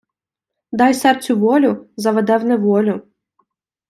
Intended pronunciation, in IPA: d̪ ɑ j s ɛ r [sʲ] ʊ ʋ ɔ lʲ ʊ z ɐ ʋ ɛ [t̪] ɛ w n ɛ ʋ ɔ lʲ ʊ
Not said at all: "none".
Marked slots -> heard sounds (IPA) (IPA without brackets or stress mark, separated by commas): t͡sʲ, d̪